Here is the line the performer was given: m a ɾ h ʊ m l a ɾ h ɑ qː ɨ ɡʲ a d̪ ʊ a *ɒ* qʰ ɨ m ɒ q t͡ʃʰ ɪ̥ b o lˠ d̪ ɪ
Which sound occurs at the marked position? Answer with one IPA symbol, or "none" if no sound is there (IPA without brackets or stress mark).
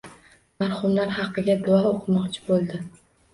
o